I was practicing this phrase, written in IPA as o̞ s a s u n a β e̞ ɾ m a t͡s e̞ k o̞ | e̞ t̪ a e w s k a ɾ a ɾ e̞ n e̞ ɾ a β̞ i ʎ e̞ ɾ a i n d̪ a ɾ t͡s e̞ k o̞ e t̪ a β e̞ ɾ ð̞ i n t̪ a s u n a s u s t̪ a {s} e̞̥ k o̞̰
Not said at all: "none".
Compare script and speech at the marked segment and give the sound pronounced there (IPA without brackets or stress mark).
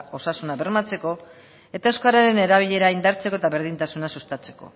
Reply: t͡s